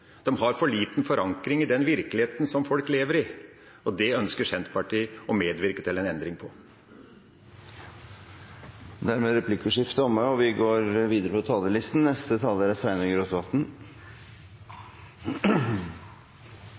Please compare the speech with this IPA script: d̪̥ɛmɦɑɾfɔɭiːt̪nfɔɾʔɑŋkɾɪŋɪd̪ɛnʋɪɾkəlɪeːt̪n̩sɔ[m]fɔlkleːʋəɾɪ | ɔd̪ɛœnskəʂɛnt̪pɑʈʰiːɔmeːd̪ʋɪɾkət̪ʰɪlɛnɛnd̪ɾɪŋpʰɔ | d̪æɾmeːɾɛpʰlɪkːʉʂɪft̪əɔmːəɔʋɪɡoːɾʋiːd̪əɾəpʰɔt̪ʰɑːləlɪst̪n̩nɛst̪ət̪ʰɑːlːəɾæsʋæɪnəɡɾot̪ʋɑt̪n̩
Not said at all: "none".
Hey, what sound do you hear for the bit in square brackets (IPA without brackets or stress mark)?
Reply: m